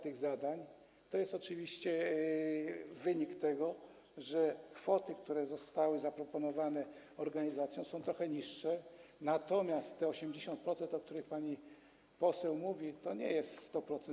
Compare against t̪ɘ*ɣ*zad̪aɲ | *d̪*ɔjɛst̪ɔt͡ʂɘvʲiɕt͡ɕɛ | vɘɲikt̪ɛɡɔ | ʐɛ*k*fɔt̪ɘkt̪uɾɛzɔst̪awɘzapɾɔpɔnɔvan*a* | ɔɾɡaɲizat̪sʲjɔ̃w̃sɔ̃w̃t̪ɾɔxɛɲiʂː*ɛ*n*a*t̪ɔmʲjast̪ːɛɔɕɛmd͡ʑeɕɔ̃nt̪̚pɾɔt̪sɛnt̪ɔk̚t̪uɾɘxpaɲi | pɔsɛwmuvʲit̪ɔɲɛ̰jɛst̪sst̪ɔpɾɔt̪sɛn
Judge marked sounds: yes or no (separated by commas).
yes, no, yes, no, yes, yes